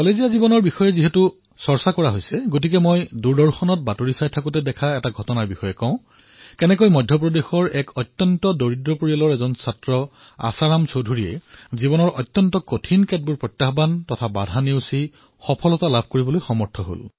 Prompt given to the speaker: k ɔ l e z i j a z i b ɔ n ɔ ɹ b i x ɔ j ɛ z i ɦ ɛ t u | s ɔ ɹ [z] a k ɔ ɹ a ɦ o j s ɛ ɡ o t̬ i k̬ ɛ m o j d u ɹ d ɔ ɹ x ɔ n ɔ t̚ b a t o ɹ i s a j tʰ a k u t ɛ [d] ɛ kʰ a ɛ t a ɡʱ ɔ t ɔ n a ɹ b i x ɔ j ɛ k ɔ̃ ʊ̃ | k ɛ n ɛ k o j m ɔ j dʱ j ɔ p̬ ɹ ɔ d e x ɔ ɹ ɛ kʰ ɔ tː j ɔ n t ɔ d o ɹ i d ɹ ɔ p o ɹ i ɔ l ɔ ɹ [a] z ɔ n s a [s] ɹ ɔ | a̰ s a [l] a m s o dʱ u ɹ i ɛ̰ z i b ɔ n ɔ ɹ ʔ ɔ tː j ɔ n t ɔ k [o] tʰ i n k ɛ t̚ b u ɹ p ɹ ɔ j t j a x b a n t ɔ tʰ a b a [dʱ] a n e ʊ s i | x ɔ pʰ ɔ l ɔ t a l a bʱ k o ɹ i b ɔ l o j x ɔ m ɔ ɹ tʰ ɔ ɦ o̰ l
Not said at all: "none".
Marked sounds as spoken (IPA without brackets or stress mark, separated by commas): s, d, ɛ, t, ɹ, o, dʱ